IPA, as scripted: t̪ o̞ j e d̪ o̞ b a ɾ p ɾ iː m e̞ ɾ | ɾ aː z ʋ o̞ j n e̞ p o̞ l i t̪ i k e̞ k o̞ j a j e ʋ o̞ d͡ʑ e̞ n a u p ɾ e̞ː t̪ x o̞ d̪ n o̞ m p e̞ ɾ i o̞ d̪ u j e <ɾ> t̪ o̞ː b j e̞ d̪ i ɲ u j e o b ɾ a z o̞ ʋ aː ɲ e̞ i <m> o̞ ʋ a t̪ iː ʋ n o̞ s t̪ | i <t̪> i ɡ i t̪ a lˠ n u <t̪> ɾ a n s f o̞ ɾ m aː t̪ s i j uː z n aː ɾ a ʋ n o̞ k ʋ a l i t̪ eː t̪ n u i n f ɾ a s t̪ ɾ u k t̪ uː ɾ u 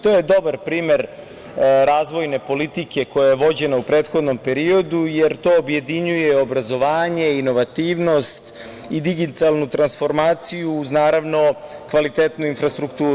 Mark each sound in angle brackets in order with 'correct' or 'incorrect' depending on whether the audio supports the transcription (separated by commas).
correct, incorrect, incorrect, correct